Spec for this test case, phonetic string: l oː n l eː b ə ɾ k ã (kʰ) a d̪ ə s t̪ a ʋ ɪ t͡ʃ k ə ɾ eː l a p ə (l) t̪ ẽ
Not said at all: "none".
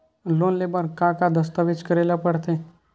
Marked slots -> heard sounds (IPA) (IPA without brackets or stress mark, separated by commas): k, ɽ